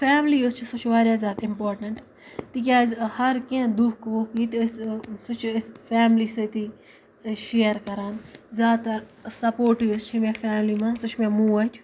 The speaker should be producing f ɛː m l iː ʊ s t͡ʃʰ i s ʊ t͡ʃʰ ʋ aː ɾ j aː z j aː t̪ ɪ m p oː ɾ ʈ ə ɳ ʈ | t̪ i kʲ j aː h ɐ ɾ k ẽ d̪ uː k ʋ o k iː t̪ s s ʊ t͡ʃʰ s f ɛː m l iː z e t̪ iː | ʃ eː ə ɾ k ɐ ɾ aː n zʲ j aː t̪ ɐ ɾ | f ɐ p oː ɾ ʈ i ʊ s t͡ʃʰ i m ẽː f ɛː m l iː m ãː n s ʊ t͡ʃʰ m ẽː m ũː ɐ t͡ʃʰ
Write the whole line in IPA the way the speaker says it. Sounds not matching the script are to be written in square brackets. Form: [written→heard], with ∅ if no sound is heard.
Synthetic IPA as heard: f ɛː m l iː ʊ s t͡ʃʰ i s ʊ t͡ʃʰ ʋ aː ɾ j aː z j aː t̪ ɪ m p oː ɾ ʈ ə ɳ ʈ | t̪ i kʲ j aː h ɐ ɾ k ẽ d̪ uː k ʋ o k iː t̪ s s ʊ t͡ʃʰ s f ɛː m l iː [z→s] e t̪ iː | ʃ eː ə ɾ k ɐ ɾ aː n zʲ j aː t̪ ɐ ɾ | [f→s] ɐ p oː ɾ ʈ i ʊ s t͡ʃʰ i m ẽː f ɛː m l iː m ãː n s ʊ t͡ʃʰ m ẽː m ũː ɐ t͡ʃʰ